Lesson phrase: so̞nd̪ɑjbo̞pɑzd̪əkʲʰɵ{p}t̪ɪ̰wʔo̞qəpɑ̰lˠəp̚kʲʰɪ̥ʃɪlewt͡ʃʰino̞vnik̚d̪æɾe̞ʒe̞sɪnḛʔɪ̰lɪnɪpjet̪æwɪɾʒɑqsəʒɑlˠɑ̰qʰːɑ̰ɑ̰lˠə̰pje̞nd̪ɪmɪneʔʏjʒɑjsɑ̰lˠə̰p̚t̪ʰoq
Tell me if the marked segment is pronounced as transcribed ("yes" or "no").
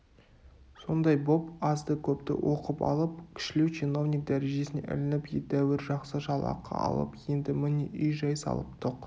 yes